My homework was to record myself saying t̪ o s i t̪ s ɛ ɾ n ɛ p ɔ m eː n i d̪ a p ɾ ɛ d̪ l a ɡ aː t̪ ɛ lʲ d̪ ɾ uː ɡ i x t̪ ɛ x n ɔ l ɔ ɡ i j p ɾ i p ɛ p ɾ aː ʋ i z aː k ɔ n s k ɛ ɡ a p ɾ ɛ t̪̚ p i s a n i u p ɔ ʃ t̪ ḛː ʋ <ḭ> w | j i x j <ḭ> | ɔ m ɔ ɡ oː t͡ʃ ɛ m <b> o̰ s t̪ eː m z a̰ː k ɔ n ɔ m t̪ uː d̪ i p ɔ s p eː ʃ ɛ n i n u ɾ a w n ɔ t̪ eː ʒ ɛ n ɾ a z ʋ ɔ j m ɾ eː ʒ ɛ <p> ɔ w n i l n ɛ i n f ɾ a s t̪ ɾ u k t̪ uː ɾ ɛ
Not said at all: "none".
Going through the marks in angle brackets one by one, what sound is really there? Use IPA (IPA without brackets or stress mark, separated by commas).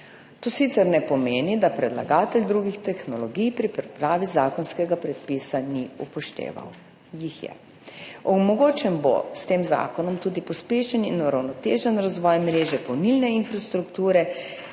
a̰, ɛ̰, b, p